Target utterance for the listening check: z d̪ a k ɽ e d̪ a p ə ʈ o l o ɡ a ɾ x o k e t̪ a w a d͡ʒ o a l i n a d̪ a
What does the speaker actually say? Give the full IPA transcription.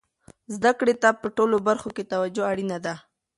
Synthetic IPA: z d̪ a k ɽ e t̪ a p ə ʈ o l o b a ɾ x o k e t̪ a w a d͡ʒ o a ɽ i n a d̪ a